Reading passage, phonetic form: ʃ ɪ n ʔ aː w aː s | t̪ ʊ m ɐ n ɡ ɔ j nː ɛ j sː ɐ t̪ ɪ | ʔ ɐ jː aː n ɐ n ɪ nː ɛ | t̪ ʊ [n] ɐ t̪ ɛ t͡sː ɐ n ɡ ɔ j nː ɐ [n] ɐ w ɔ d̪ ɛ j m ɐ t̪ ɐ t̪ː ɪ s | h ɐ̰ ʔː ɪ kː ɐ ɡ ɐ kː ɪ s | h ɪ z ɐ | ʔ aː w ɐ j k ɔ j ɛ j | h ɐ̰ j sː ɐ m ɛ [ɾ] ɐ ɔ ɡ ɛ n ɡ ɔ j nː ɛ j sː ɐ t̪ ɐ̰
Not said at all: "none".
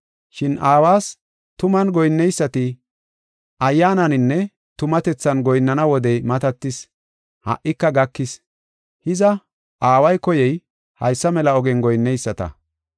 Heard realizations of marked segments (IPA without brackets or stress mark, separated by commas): m, n, l